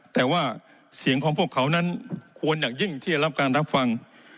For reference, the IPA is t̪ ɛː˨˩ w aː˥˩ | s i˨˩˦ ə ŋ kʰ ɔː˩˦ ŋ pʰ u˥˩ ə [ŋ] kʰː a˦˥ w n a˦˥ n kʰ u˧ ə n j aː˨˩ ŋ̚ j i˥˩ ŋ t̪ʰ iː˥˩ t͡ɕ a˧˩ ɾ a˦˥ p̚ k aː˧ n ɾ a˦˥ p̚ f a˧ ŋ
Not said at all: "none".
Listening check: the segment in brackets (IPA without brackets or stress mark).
none